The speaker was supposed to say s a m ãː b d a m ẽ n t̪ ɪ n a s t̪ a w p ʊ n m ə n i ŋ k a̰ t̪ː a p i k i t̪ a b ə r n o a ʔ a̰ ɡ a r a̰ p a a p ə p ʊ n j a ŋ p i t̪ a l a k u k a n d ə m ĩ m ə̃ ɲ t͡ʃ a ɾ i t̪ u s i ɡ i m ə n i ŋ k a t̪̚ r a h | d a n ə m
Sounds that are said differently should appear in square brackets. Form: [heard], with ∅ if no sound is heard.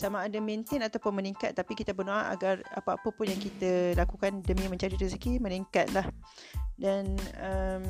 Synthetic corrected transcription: s a m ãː [∅] d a m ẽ n t̪ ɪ n a [∅] t̪ a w p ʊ n m ə n i ŋ k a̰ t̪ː a p i k i t̪ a b ə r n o a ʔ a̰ ɡ a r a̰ p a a p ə p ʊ n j a ŋ [k] i t̪ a l a k u k a n d ə m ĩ m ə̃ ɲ t͡ʃ a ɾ i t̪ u s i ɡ i m ə n i ŋ k a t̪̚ [l] a h | d a n ə m